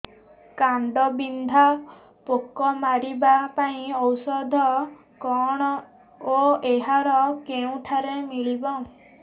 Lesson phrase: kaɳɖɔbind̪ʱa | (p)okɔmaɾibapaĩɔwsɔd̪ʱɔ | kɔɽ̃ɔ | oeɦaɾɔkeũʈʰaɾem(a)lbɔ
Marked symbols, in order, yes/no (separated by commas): yes, no